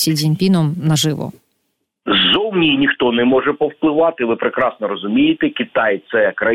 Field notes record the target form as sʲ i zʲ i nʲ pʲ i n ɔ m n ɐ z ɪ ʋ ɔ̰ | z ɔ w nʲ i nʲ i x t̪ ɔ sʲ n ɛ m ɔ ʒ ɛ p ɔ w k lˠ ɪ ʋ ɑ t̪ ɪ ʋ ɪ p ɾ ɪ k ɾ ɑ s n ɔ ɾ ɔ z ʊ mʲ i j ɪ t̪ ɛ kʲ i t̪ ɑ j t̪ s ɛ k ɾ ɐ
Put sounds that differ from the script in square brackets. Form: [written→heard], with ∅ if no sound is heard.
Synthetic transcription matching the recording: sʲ i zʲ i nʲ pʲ i n ɔ m n ɐ [z→ʒ] ɪ ʋ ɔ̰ | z ɔ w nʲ i nʲ i x t̪ ɔ [sʲ→∅] n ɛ m ɔ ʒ ɛ p ɔ w [k→p] lˠ ɪ ʋ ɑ t̪ ɪ ʋ ɪ p ɾ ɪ k ɾ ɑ s n ɔ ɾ ɔ z ʊ mʲ i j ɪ t̪ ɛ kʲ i t̪ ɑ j t̪ s ɛ k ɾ ɐ